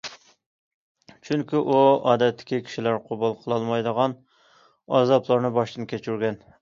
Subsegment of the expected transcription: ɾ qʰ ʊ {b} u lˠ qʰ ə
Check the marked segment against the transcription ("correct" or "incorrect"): correct